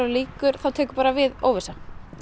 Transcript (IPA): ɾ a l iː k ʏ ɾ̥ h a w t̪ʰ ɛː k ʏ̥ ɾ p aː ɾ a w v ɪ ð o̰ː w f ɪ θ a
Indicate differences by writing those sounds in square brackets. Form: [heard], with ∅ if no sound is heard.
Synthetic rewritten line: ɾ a l iː k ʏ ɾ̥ [θ] a w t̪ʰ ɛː k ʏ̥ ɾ p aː ɾ a [∅] v ɪ ð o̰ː w [v] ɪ [s] a